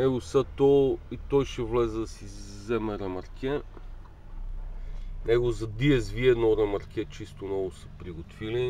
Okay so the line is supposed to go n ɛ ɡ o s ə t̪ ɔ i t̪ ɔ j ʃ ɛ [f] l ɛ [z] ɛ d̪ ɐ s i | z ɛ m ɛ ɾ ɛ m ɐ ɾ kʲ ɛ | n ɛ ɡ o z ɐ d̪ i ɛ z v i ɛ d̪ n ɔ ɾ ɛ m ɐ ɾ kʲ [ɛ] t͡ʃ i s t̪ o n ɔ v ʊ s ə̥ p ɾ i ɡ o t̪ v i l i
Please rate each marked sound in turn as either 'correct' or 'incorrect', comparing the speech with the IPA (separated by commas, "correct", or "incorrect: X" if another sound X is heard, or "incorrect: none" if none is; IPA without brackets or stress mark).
incorrect: v, correct, correct